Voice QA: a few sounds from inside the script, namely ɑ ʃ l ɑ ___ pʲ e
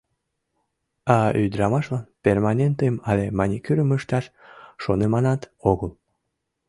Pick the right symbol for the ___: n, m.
n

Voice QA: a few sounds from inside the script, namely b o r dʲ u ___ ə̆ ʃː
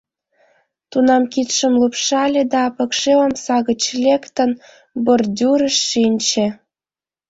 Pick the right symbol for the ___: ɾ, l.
ɾ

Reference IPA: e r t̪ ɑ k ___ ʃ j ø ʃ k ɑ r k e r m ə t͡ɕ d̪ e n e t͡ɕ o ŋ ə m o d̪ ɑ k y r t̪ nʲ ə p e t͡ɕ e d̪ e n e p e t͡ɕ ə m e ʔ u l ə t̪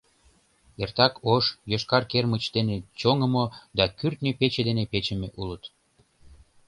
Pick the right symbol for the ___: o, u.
o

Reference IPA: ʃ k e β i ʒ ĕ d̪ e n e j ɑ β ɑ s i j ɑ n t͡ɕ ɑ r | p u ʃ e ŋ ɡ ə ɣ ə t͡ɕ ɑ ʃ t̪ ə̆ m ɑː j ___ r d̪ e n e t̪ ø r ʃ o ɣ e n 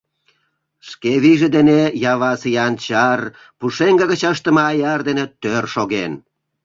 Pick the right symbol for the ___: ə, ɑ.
ɑ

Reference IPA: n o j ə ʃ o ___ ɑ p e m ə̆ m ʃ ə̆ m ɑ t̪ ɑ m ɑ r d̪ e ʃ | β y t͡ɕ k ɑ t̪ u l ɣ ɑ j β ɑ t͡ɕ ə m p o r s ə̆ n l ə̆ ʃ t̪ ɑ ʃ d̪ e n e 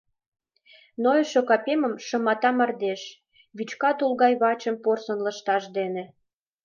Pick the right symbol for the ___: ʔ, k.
k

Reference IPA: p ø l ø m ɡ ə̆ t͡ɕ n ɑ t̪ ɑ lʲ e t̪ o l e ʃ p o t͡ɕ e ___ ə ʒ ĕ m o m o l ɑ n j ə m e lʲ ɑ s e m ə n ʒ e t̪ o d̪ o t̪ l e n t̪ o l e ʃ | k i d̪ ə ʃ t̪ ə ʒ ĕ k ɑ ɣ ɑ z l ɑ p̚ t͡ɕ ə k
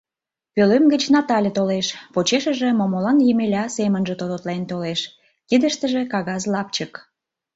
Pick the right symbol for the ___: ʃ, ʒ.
ʃ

